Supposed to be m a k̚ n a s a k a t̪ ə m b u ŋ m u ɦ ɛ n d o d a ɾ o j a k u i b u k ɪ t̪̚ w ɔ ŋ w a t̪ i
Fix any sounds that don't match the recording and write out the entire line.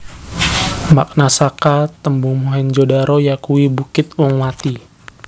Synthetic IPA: m a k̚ n a s a k a t̪ ə m b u ŋ m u ɦ ɛ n d͡ʒ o d a ɾ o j a k u i b u k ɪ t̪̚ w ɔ ŋ w a t̪ i